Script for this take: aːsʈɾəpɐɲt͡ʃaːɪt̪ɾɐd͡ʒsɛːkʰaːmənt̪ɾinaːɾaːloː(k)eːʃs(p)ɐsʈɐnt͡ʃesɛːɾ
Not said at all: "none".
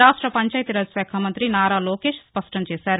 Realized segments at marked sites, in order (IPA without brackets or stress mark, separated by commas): k, p